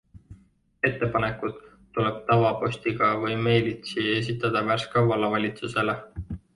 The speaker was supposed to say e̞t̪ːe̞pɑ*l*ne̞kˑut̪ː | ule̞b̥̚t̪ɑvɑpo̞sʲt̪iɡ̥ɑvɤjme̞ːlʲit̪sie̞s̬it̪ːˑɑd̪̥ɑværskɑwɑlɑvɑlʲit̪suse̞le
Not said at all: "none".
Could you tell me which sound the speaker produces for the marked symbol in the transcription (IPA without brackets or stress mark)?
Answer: none